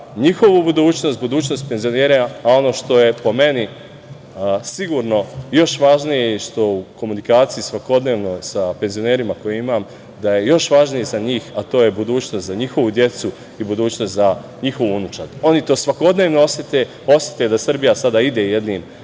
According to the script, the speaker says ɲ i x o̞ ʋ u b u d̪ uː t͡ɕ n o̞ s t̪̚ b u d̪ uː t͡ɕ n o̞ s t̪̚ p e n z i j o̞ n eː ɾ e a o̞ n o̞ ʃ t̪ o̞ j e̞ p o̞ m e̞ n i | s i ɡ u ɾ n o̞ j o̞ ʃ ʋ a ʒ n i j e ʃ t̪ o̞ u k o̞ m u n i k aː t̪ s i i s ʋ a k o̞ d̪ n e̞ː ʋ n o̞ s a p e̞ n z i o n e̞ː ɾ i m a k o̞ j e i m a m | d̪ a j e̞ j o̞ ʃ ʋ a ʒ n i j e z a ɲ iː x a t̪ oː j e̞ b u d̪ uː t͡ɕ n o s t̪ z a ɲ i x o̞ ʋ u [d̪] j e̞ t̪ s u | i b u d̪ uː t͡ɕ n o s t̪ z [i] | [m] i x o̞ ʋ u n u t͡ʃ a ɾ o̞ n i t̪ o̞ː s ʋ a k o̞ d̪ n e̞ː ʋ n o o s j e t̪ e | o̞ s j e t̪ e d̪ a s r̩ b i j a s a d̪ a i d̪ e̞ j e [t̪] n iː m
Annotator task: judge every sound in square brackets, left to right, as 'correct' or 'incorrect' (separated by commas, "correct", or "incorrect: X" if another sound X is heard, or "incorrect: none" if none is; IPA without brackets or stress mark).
correct, incorrect: a, incorrect: ɲ, incorrect: d̪